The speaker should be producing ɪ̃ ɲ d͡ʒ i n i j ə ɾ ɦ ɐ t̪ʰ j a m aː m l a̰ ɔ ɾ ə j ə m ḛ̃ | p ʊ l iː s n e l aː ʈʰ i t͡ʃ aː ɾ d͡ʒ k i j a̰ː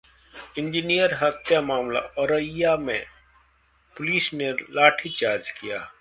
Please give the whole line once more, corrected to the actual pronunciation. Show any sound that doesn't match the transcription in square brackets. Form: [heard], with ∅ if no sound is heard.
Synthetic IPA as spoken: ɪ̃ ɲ d͡ʒ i n i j ə ɾ ɦ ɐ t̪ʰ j a m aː m l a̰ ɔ ɾ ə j [a] m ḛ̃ | p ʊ l iː s n e l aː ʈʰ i t͡ʃ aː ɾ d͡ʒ k i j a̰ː

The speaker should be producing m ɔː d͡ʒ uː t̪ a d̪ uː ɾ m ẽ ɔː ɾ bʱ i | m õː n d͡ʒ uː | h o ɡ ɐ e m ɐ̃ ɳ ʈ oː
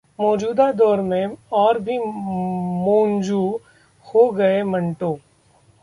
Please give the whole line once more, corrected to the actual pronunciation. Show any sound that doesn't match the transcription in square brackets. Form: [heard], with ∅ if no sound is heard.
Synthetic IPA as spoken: m ɔː d͡ʒ uː [d̪] a d̪ [ɔː] ɾ m ẽ ɔː ɾ bʱ i | m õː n d͡ʒ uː | h o ɡ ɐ e m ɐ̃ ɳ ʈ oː

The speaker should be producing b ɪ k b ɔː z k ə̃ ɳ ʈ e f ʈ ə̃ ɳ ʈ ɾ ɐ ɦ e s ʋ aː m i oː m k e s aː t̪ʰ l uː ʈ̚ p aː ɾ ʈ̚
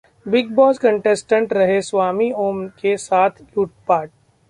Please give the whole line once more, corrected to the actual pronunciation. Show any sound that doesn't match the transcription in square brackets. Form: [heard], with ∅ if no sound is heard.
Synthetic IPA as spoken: b ɪ [ɡ] b ɔː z k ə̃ ɳ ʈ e [s] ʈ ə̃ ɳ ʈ ɾ ɐ ɦ e s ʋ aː m i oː m k e s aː t̪ʰ l uː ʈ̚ p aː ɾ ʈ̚

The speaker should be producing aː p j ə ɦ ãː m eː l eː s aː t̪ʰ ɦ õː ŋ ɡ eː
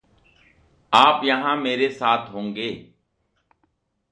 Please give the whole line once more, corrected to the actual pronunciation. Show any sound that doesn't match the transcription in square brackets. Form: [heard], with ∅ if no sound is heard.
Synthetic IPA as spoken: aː p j ə ɦ ãː m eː [ɾ] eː s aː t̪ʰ ɦ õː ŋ ɡ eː

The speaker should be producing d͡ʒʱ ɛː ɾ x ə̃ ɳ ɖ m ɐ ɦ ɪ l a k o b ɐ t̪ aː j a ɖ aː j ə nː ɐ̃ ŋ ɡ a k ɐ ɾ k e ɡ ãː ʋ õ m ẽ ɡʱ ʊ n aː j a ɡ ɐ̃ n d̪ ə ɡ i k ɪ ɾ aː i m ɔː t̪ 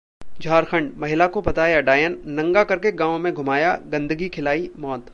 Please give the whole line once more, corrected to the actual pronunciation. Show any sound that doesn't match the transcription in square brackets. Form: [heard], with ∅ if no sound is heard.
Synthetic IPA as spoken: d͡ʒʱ [aː] ɾ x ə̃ ɳ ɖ m ɐ ɦ ɪ l a k o b ɐ t̪ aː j a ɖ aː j ə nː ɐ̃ ŋ ɡ a k ɐ ɾ k e ɡ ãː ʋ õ m ẽ ɡʱ ʊ [m] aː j a ɡ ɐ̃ n d̪ ə ɡ i [kʰ] ɪ [l] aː i m ɔː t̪

